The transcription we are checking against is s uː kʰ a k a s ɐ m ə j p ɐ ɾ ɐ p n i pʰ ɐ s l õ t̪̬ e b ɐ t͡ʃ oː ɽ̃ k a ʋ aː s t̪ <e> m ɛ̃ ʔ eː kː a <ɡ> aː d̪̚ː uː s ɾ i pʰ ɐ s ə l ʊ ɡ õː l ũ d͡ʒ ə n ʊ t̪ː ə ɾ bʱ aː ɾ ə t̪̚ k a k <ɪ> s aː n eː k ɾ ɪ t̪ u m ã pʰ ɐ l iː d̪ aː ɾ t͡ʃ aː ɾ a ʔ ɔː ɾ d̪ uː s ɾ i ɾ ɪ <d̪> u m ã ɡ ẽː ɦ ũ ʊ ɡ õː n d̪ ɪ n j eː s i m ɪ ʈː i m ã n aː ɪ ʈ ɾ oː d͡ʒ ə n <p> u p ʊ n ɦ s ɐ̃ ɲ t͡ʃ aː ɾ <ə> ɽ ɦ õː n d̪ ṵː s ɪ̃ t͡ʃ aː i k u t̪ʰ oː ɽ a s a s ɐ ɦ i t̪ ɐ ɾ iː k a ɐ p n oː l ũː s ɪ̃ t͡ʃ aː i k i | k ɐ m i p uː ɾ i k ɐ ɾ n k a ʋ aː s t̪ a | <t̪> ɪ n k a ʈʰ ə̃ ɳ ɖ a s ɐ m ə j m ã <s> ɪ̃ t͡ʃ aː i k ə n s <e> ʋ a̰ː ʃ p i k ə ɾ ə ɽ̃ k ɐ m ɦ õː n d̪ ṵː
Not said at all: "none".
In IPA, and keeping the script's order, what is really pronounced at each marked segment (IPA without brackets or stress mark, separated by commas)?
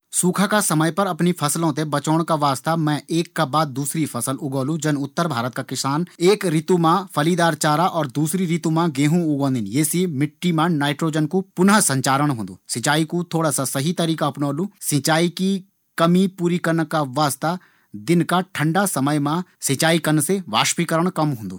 a, b, ɪ, t̪, k, ə, d̪, s, e